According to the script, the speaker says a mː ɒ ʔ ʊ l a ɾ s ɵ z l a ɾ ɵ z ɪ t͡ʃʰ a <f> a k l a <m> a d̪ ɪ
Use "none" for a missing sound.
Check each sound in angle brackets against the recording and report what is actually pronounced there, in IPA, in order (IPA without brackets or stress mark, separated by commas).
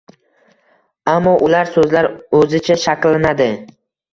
ʃ, n